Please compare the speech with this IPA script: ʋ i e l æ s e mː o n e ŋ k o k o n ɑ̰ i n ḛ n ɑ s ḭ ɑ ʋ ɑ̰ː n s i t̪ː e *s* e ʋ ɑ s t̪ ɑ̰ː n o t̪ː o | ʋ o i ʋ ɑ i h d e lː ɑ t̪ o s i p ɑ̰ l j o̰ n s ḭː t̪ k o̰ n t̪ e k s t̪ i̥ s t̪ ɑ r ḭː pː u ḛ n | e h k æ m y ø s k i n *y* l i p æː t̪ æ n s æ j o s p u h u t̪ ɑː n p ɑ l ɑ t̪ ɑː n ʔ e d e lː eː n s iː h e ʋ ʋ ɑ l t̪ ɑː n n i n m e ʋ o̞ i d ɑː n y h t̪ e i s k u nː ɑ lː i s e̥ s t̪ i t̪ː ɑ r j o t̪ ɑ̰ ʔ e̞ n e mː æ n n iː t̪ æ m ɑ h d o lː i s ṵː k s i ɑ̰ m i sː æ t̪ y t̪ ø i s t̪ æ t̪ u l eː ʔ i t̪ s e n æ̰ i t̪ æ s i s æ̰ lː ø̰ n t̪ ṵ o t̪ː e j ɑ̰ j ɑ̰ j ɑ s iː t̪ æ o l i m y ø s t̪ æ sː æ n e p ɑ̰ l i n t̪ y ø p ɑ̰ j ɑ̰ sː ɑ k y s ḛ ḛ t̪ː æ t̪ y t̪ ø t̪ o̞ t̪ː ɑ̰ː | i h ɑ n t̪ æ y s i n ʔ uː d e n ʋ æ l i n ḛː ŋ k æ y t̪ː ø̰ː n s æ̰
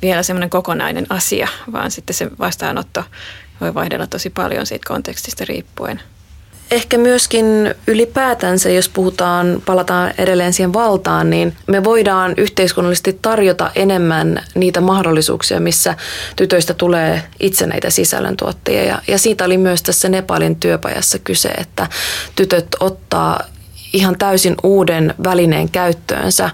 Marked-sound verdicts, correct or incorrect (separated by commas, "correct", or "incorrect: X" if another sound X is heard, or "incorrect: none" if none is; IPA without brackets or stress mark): correct, correct